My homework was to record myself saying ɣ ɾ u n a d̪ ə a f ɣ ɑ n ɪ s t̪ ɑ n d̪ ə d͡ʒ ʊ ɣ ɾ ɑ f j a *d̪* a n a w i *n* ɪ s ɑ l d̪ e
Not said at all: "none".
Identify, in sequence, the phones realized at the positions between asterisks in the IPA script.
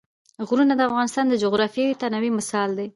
t̪, m

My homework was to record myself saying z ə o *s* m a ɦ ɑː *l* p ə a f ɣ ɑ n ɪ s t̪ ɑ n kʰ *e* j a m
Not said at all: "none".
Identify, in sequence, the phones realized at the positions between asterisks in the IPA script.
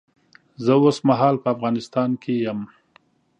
s, l, e

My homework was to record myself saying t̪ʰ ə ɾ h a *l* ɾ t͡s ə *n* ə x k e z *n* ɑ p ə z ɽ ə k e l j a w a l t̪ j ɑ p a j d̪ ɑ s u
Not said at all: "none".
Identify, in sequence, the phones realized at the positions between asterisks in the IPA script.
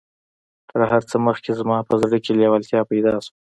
none, m, m

